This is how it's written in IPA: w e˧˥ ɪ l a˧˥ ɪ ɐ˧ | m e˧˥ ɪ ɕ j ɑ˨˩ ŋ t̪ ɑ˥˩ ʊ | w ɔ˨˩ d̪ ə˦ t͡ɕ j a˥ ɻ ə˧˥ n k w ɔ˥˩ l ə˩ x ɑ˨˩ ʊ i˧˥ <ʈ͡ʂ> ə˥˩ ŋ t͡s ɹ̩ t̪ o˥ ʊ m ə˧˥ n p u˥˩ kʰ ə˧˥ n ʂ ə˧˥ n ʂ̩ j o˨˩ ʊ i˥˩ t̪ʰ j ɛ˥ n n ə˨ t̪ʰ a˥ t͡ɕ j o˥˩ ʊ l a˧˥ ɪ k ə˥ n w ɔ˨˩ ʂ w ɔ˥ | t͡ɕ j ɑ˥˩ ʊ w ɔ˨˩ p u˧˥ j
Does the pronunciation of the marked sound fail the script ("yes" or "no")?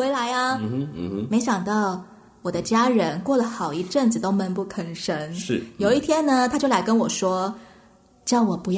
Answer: no